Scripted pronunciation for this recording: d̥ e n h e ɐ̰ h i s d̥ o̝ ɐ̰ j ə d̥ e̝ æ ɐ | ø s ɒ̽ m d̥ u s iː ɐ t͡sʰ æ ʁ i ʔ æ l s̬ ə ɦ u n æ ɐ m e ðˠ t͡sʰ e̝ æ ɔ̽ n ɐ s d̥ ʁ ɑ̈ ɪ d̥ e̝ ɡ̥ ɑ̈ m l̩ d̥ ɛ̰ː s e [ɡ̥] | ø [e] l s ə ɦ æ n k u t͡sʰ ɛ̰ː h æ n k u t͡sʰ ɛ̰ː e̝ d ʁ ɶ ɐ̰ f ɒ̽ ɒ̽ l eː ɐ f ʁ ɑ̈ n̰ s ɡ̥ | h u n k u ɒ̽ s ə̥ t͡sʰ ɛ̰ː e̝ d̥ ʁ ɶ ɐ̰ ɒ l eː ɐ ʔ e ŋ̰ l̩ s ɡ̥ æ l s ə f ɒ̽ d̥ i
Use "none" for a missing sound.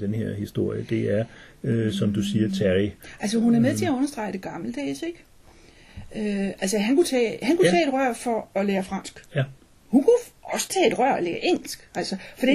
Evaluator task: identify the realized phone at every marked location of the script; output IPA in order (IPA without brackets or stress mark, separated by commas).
ɡ̥, æ